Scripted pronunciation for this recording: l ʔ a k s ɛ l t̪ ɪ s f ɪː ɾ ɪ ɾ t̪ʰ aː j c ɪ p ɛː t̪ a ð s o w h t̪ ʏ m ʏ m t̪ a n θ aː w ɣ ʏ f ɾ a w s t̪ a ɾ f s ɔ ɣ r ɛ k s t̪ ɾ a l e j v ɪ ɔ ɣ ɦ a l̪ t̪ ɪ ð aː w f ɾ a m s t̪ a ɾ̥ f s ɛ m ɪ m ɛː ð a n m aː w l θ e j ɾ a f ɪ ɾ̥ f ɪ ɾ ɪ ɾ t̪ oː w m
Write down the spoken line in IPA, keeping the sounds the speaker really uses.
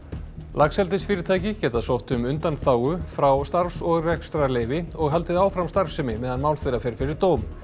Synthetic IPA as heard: l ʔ a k s ɛ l t̪ ɪ s f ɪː ɾ ɪ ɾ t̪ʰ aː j c ɪ c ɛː t̪ a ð s o w h t̪ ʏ m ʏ n t̪ a n θ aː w ɣ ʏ f ɾ a w s t̪ a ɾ f s ɔ ɣ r ɛ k s t̪ ɾ a l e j v ɪ ɔ ɣ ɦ a l̪ t̪ ɪ ð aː w f ɾ a m s t̪ a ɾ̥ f s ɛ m ɪ m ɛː ð a n m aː w l θ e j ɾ a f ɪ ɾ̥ f ɪ ɾ ɪ ɾ t̪ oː w m